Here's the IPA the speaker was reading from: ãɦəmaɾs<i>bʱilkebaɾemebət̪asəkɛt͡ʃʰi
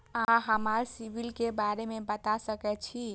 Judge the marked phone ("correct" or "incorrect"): correct